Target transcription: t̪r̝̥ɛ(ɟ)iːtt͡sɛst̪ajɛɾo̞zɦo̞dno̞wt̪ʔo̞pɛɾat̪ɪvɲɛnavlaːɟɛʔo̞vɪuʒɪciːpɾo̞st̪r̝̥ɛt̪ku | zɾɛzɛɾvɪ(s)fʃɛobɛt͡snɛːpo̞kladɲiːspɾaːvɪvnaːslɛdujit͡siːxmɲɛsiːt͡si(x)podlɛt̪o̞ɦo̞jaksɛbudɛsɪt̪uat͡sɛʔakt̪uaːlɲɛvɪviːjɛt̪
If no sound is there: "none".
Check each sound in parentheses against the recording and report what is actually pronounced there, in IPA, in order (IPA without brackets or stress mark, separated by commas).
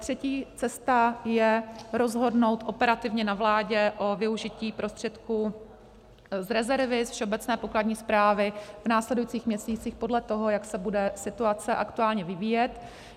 c, s, x